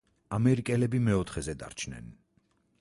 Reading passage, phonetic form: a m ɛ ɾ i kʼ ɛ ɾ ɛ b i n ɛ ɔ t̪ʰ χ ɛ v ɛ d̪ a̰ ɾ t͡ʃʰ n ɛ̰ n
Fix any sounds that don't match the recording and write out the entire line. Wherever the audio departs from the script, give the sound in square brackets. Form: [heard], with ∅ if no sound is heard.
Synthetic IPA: a m ɛ ɾ i kʼ ɛ [l] ɛ b i [m] ɛ ɔ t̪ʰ χ ɛ [z] ɛ d̪ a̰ ɾ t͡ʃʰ n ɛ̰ n

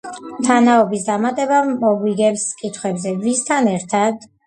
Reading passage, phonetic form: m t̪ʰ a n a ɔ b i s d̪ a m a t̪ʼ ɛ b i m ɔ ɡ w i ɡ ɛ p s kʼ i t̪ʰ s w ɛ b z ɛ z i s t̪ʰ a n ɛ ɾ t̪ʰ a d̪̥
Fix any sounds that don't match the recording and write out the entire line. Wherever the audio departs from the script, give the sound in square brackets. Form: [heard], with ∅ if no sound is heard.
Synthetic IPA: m t̪ʰ a n a ɔ b i s d̪ a m a t̪ʼ ɛ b [a] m ɔ ɡ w i ɡ ɛ p s kʼ i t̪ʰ [χ] w ɛ b z ɛ [v] i s t̪ʰ a n ɛ ɾ t̪ʰ a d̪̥

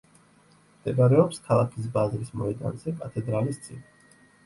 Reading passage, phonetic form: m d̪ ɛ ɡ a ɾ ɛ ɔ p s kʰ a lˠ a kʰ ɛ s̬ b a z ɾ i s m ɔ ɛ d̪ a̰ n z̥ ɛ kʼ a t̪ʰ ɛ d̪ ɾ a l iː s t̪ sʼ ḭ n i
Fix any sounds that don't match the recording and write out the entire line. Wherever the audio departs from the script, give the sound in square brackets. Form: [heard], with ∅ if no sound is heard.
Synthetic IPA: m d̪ ɛ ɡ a ɾ ɛ ɔ p s kʰ a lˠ a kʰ [i] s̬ b a z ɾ i s m ɔ ɛ d̪ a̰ n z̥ ɛ kʼ a t̪ʰ ɛ d̪ ɾ a l [i] s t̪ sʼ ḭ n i

